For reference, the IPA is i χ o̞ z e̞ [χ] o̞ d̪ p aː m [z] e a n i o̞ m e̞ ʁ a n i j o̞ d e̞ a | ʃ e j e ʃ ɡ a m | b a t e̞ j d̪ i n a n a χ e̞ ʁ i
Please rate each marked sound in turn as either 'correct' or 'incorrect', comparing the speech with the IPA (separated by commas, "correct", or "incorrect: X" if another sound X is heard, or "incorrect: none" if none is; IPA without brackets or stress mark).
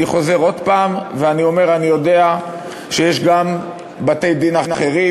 incorrect: ʁ, incorrect: v